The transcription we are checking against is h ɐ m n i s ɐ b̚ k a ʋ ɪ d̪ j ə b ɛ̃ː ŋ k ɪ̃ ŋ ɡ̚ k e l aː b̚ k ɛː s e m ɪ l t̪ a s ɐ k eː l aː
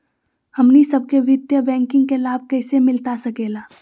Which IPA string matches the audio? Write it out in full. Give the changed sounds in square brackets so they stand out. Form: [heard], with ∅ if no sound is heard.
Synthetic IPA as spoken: h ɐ m n i s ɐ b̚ k [e] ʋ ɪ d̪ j ə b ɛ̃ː ŋ k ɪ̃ ŋ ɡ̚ k e l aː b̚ k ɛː s e m ɪ l t̪ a s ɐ k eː l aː